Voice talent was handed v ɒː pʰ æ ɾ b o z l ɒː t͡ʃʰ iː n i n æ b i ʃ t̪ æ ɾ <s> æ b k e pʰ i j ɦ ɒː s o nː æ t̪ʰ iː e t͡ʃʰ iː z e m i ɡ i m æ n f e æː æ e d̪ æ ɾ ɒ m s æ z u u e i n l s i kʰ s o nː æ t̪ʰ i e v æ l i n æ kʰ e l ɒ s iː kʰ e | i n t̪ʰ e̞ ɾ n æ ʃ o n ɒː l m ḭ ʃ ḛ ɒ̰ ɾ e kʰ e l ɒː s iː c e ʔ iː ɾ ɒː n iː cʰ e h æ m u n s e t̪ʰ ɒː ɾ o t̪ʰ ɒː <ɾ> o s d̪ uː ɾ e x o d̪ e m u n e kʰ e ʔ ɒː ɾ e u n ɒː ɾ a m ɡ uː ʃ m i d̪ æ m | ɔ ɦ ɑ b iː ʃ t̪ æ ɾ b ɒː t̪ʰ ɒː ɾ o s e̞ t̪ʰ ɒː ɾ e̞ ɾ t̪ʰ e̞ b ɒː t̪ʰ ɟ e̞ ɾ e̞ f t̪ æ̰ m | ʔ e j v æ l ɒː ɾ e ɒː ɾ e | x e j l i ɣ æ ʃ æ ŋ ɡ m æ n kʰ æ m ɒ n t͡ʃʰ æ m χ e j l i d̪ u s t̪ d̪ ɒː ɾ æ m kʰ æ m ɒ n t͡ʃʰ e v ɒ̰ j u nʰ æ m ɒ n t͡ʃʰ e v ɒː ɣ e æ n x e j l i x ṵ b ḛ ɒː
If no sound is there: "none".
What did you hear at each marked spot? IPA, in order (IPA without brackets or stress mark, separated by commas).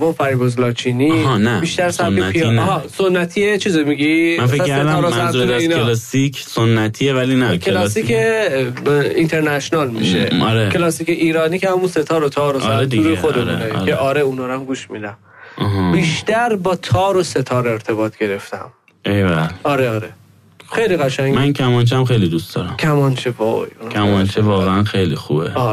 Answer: s, ɾ